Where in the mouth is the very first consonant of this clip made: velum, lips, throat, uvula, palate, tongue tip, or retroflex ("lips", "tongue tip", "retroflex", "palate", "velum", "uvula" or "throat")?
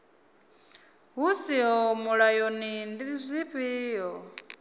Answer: throat